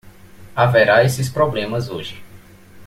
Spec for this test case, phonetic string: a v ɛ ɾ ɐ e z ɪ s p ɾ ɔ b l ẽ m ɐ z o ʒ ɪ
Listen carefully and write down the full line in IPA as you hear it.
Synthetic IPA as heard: a v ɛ ɾ a e s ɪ s p ɾ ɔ b l ẽ m ɐ z o ʒ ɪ